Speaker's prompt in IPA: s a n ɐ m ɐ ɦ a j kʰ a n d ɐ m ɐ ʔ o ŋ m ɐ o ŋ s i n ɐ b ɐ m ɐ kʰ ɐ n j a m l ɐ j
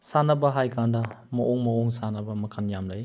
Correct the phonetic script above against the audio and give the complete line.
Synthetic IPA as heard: s a n ɐ b ɐ ɦ a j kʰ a n d ɐ m ɐ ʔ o ŋ m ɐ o ŋ s a n ɐ b ɐ m ɐ kʰ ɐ n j a m l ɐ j